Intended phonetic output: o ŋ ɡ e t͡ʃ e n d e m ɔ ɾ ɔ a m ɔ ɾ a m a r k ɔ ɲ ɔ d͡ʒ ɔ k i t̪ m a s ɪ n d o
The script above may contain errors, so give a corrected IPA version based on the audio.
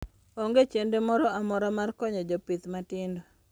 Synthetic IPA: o ŋ ɡ e t͡ʃ e n d e m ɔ ɾ ɔ a m ɔ ɾ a m a r k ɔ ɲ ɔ d͡ʒ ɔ p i t̪ m a t ɪ n d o